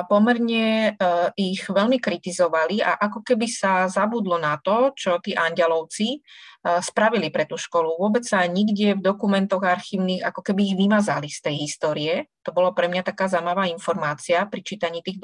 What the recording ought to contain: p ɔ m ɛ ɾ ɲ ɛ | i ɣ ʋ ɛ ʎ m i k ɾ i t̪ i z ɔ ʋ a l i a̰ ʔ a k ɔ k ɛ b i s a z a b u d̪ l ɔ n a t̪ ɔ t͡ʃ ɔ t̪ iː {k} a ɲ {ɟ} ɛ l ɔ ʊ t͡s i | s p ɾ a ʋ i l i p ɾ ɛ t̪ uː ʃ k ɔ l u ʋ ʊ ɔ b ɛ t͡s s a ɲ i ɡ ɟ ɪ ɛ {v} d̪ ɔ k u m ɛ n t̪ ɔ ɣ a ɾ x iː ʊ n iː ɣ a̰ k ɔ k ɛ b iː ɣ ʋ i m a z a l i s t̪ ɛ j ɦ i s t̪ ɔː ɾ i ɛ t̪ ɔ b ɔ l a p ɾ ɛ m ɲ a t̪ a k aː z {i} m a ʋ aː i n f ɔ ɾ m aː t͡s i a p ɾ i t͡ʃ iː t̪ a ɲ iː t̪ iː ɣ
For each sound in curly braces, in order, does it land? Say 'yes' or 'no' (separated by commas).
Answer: no, yes, yes, no